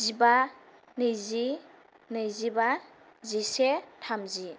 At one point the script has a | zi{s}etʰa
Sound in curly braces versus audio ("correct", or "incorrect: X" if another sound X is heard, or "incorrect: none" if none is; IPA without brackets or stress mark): correct